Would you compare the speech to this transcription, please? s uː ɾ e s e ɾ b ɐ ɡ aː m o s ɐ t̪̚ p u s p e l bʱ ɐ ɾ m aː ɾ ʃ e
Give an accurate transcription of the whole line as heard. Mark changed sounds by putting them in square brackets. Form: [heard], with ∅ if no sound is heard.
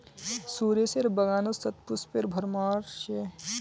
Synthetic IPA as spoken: s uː ɾ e s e ɾ b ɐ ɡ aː [n] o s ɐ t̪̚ p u s p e [ɾ] bʱ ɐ ɾ m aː ɾ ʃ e